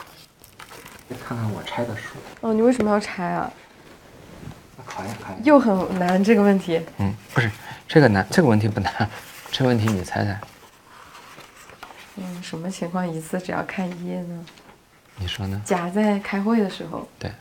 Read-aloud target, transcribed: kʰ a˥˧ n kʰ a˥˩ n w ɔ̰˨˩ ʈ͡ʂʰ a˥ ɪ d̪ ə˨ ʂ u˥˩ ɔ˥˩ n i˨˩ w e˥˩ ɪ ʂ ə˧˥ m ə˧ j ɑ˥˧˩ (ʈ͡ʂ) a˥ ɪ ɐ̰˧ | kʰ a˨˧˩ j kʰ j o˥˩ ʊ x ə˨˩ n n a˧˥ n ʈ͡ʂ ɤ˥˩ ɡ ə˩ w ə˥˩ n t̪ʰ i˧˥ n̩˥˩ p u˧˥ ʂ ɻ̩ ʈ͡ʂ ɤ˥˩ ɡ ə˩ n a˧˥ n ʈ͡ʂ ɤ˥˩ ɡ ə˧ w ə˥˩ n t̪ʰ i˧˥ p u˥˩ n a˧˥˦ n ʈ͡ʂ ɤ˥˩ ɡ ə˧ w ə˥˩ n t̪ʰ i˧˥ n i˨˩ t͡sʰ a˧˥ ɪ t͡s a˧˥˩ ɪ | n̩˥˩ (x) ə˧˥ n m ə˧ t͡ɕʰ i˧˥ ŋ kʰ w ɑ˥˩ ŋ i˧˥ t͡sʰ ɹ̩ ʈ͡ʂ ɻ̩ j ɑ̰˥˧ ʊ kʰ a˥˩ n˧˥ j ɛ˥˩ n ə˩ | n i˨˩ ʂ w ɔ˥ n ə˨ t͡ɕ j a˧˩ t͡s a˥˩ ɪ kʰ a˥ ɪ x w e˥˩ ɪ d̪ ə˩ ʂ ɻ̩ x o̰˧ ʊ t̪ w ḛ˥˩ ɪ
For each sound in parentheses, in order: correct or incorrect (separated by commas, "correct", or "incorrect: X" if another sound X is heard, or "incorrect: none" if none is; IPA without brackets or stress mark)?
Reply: incorrect: ʈ͡ʂʰ, incorrect: ʂ